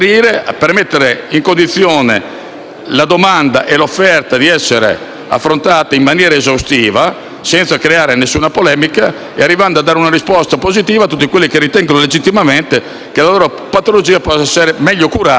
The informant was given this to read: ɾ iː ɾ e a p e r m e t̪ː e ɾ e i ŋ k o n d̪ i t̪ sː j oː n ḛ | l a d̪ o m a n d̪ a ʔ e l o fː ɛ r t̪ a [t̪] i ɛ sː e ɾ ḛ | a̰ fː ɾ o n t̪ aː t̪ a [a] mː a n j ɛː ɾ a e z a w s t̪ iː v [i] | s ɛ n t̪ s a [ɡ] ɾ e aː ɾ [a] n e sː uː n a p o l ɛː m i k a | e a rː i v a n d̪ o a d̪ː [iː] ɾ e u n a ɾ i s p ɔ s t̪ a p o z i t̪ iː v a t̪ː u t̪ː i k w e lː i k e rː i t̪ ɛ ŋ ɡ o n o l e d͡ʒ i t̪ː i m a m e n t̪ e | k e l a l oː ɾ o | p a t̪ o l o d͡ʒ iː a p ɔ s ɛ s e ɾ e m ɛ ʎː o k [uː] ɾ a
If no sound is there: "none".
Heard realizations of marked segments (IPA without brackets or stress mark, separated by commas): d̪, i, a, k, e, aː, u